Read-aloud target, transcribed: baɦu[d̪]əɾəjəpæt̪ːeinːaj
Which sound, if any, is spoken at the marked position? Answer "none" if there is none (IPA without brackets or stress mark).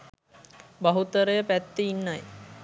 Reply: t̪